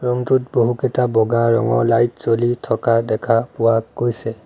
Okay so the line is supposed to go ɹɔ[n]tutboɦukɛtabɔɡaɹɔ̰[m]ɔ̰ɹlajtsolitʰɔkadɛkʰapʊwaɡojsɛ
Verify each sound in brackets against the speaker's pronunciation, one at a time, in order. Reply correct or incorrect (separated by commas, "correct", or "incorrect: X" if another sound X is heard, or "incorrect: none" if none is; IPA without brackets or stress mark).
incorrect: ŋ, incorrect: ŋ